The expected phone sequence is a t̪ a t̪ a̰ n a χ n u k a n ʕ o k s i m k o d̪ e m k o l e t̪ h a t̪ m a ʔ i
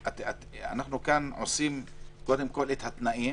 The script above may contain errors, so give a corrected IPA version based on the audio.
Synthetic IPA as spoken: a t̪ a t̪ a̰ n a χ n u k a n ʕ o s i m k o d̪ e m k o l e t̪ h a t̪ n a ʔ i